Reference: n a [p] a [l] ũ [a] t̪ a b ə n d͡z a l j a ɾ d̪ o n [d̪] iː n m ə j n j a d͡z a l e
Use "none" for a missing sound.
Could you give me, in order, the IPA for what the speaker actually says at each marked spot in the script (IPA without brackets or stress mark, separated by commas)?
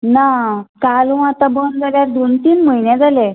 k, l, a, t̪